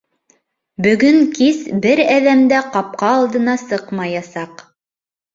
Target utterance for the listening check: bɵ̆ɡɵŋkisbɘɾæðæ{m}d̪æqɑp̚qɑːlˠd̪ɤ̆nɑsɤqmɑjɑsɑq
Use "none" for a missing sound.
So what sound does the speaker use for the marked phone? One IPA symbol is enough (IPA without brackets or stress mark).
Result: m